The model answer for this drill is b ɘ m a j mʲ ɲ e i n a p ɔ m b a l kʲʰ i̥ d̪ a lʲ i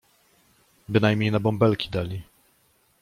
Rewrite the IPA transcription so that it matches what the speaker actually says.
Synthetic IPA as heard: b ɘ n a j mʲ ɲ e j n a b ɔ m b ɛ l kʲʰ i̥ d̪ a lʲ i